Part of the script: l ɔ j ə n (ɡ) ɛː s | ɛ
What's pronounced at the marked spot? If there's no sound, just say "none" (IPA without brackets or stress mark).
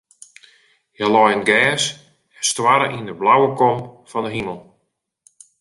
ɡ